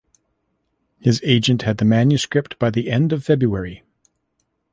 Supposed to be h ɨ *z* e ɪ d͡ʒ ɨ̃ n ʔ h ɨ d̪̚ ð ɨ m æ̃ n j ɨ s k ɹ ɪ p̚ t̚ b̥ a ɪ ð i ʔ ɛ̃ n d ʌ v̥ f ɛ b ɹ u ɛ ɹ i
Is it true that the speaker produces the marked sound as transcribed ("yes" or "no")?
yes